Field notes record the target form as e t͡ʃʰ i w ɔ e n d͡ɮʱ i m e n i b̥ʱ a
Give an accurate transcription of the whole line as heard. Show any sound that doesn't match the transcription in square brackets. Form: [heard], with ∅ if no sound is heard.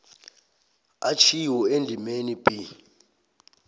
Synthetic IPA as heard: [a] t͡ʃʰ i w ɔ e n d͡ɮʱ i m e n i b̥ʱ [i]